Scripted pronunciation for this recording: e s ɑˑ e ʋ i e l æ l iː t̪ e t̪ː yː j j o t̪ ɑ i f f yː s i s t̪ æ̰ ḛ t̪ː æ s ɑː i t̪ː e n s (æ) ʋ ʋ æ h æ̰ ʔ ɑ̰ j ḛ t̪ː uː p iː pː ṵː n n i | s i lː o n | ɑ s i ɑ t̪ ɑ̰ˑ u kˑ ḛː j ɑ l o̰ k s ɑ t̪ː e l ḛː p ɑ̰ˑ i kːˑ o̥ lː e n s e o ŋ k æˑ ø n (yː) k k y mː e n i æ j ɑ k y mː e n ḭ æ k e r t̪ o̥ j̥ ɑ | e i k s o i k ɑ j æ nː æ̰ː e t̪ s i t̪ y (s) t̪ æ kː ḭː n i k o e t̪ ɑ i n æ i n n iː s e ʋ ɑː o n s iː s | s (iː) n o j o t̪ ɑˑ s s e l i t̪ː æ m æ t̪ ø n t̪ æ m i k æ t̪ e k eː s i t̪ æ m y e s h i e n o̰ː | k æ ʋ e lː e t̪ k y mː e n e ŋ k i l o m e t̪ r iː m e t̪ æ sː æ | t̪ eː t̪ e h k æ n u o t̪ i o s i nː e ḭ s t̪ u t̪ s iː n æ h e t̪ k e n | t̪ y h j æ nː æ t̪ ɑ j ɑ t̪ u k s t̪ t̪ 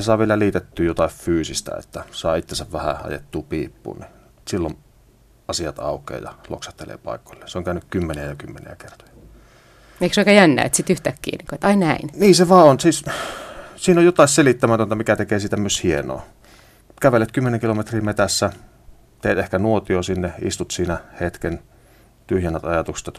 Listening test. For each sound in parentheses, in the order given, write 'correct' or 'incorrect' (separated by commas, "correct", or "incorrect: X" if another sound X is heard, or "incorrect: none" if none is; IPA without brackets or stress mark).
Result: correct, incorrect: y, incorrect: h, correct